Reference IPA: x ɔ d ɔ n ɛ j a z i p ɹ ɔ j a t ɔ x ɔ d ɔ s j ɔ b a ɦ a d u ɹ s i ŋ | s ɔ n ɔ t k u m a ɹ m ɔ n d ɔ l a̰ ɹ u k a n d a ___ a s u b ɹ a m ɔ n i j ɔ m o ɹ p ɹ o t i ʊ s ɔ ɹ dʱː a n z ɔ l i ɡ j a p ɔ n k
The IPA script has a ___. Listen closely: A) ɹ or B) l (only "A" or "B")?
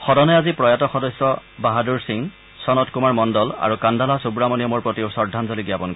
B